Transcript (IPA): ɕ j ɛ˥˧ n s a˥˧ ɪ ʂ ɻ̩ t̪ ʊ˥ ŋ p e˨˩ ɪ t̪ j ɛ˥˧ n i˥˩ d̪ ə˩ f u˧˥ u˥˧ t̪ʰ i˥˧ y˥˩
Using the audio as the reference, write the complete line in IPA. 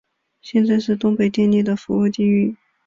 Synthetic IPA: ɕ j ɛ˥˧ n t͡s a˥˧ ɪ ʂ ɻ̩ t̪ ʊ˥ ŋ p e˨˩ ɪ t̪ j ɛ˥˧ n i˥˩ d̪ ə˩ f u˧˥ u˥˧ t̪ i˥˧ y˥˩